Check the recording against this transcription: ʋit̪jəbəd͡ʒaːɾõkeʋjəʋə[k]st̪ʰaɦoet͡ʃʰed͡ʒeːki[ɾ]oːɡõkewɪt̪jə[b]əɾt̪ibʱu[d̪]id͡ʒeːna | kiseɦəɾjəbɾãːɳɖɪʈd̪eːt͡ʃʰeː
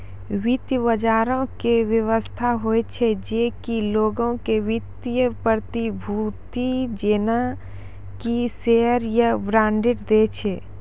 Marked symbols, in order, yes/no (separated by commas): no, no, no, no